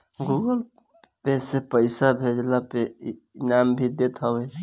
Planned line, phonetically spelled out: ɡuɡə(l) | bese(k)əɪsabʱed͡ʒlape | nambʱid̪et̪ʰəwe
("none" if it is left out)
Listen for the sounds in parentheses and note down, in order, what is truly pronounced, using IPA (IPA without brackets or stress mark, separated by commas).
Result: l, p